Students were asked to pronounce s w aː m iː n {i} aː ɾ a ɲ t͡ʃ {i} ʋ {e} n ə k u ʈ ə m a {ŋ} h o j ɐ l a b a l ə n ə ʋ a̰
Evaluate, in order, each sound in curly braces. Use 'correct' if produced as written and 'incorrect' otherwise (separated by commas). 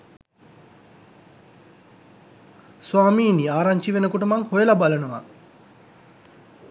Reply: correct, correct, correct, correct